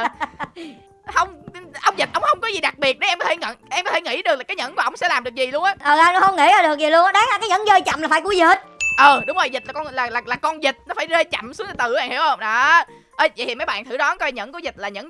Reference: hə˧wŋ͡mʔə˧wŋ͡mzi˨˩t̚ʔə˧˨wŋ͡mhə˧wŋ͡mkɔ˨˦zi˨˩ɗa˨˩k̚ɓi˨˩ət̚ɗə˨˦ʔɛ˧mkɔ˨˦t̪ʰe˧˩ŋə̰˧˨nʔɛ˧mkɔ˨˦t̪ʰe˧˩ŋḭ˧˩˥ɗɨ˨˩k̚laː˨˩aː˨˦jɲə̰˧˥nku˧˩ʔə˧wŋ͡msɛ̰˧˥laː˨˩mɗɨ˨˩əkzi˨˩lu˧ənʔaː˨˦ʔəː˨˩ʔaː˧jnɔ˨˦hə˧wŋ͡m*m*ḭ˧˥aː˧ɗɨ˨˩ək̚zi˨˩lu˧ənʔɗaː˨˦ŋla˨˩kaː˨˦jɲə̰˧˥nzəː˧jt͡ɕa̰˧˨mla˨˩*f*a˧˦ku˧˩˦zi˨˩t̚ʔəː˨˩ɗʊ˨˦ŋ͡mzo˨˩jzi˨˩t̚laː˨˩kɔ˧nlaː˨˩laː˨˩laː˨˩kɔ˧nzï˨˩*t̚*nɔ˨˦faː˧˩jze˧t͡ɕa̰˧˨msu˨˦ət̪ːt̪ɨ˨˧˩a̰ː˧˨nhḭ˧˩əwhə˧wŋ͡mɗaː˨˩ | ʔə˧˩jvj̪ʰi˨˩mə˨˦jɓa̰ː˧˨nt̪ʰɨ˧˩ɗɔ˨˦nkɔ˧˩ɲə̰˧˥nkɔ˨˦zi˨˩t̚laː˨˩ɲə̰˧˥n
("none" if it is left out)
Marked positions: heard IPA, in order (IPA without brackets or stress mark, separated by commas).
ŋ, f, t̚